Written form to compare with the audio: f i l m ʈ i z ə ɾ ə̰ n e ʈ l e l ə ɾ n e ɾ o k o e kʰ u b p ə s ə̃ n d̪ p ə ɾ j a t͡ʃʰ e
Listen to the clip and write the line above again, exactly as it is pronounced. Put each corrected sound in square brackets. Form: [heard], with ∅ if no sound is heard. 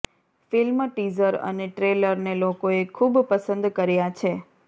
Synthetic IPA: f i l m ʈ i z ə ɾ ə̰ n e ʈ [ɾ] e l ə ɾ n e [l] o k o e kʰ u b p ə s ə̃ n d̪ [k] ə ɾ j a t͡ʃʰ e